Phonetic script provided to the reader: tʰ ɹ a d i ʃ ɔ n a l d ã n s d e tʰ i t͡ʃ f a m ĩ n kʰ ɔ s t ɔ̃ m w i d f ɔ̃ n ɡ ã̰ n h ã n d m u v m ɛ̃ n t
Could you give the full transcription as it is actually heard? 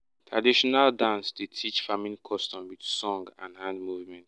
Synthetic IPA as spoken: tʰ ɹ a d i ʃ ɔ n a l d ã n s d e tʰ i t͡ʃ f a m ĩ n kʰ ɔ s t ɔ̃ m w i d s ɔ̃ ŋ ɡ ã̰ n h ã n d m u v m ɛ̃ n t

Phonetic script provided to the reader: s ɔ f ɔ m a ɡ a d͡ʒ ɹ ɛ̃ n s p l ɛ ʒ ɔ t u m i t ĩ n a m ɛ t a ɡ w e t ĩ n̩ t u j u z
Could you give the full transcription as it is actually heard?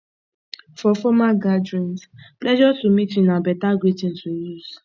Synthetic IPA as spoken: f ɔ f ɔ m a ɡ a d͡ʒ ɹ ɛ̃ n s p l ɛ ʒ ɔ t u m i t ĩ n a b ɛ t a ɡ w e t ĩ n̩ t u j u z

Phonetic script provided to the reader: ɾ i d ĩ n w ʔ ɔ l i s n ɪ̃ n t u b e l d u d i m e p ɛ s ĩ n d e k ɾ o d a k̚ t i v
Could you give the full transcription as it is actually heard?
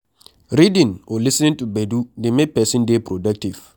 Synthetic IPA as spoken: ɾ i d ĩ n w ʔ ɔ l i s n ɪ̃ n t u b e d u d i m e p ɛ s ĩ n d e p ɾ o d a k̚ t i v

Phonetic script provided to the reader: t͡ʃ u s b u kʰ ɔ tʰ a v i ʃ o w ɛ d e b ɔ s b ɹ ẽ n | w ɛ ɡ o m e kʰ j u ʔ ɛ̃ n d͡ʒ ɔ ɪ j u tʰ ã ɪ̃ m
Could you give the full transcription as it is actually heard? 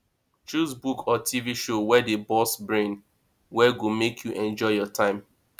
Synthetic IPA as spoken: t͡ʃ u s b u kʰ ɔ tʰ i v i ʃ o w ɛ d e b ɔ s b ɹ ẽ n | w ɛ ɡ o m e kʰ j u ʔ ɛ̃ n d͡ʒ ɔ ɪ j ɔ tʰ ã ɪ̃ m

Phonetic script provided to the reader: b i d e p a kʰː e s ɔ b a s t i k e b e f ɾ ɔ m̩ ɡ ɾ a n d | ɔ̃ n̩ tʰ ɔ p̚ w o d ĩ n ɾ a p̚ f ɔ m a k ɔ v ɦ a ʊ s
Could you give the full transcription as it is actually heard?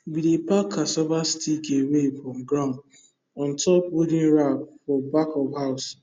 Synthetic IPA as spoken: b i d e p a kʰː a s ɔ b a s t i k e w e f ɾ ɔ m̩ ɡ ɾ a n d | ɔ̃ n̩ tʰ ɔ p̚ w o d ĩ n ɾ a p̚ f ɔ b a k ɔ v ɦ a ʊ s

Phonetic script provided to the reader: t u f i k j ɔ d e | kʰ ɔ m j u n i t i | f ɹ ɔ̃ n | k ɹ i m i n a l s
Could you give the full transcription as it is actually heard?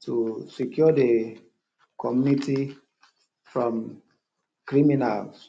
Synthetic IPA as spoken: t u s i k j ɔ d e | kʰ ɔ m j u n i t i | f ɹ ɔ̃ m | k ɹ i m i n a l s

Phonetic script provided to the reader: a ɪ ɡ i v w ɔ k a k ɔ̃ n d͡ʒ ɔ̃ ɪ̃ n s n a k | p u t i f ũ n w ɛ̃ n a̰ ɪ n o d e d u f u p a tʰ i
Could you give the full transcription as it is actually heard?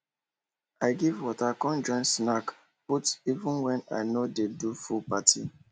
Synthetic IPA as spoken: a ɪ ɡ i v w ɔ t a k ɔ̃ n d͡ʒ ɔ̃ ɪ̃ n s n a k | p u t i v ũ n w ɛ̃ n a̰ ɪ n o d e d u f u p a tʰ i

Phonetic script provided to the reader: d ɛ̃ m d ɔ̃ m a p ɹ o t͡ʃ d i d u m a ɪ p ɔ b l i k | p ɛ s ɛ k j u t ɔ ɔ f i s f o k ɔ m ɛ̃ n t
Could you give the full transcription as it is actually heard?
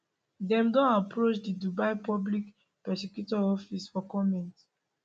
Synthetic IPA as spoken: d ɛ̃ m d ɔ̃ n a p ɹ o t͡ʃ d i d u b a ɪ p ɔ b l i k | p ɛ s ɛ k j u t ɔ ɔ f i s f ɔ k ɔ m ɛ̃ n t

